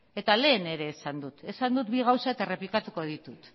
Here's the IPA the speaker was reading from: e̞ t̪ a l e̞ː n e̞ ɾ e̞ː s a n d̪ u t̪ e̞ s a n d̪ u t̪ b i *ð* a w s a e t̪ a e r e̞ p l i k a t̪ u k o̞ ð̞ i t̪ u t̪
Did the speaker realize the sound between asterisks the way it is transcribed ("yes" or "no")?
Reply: no